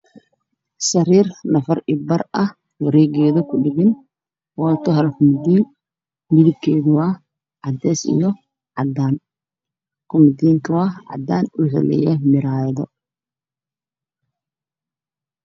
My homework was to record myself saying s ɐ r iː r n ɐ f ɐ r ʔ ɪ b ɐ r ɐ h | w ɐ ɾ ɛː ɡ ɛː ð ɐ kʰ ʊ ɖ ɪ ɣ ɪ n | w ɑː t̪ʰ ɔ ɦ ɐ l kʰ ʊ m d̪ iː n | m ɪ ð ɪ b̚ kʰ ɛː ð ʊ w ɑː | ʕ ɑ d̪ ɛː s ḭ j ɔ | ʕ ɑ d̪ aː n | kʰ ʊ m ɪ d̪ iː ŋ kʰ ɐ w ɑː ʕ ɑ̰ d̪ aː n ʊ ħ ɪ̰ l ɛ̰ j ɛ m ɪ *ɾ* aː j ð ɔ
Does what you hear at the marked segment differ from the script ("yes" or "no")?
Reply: no